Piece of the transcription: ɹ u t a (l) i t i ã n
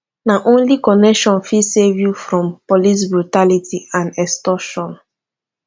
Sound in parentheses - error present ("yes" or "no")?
no